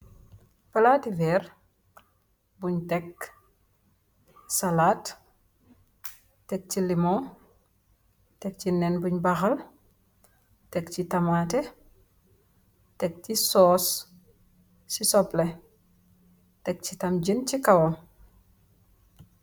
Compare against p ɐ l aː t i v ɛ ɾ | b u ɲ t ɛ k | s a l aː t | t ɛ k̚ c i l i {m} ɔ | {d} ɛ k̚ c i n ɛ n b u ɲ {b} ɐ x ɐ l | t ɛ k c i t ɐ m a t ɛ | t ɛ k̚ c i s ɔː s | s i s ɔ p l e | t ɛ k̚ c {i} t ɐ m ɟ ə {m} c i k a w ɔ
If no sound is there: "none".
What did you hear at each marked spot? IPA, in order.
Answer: m, t, b, i, n

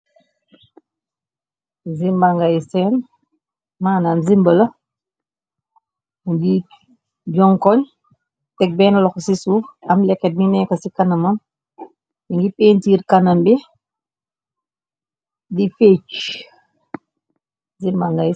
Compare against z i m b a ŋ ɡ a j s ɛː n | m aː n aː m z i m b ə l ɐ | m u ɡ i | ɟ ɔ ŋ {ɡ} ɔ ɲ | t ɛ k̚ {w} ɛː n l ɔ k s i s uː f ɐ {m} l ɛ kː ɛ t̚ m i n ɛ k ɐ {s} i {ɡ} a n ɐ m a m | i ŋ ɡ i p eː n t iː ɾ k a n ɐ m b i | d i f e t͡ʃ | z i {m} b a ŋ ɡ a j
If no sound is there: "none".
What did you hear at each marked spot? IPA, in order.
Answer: k, b, m, s, k, m

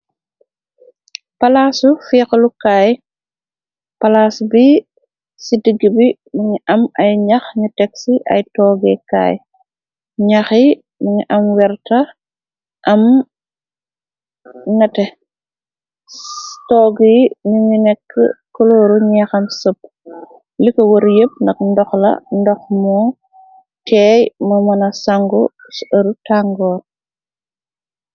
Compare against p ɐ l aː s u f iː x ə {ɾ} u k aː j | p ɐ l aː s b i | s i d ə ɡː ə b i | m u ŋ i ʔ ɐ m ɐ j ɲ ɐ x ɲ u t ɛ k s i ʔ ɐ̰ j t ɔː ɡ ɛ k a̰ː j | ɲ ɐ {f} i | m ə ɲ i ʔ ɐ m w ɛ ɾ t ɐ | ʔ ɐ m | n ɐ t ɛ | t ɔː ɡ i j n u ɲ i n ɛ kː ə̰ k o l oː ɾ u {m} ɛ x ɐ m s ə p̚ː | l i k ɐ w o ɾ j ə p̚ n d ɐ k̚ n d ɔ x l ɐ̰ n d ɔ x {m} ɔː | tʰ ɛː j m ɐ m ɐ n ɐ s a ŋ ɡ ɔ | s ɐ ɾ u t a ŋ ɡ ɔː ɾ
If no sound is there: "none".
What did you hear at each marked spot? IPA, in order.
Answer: l, x, ɲ, m

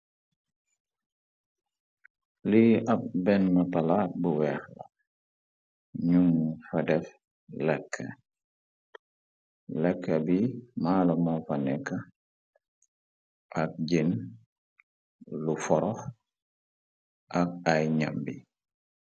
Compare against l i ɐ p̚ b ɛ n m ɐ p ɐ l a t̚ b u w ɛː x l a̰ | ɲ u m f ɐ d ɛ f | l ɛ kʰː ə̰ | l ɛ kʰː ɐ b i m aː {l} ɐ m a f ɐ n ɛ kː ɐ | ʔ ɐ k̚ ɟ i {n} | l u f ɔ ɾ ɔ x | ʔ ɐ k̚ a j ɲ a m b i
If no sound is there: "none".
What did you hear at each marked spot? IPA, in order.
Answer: l, n

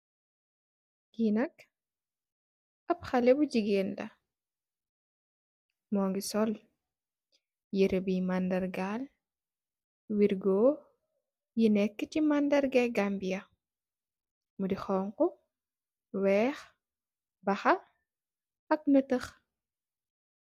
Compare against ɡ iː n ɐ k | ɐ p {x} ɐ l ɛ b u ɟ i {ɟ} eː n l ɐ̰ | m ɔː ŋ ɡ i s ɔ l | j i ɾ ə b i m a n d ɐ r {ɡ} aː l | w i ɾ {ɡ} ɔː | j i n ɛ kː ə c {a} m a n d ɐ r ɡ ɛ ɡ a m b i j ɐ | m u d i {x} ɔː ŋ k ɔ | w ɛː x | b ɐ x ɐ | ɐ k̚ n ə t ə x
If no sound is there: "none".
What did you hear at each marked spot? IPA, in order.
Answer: x, ɡ, ɡ, ɡ, i, x

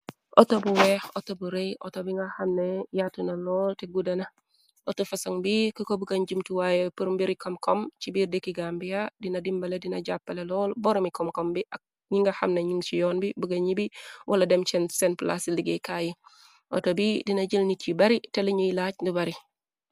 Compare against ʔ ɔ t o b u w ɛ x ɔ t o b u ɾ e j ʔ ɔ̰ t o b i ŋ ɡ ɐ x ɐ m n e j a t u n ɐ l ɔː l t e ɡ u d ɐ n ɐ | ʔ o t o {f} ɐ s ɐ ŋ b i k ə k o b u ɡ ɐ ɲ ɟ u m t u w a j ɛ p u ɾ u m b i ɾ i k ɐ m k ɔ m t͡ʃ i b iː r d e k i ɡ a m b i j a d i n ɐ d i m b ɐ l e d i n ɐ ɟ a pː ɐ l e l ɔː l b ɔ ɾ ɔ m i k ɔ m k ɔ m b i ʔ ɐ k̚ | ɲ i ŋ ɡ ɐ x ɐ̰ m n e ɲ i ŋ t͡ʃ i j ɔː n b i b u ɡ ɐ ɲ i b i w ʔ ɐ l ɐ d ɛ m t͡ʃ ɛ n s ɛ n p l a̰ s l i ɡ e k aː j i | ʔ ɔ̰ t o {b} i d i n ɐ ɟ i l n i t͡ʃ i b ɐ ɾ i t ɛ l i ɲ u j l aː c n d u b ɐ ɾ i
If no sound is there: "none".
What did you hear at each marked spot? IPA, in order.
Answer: f, b

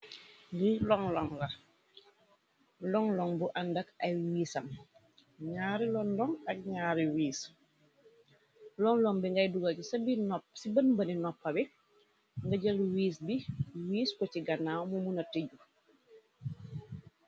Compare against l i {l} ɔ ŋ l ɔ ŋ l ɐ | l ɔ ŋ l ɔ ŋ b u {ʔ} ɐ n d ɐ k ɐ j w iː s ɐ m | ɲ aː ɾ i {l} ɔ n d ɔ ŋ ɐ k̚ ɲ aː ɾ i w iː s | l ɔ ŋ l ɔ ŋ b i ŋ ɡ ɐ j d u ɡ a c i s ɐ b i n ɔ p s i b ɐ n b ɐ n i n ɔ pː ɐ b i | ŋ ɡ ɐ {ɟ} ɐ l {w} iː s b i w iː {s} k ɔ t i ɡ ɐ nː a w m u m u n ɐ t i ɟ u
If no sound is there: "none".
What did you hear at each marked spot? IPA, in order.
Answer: l, ʔ, l, ɟ, w, s

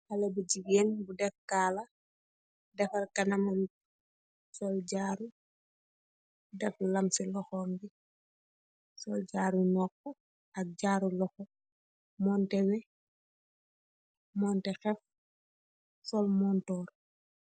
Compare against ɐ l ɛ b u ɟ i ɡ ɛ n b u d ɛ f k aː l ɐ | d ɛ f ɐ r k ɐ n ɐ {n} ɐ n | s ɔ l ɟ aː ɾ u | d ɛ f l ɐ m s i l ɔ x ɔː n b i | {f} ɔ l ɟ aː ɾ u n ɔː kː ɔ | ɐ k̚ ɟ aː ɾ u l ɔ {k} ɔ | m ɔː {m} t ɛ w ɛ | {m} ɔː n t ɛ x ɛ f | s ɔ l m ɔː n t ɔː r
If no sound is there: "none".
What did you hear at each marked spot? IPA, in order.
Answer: m, s, x, n, m

